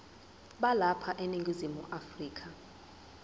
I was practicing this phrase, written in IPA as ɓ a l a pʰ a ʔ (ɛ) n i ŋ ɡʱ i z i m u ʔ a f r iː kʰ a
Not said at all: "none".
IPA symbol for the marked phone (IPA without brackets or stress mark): e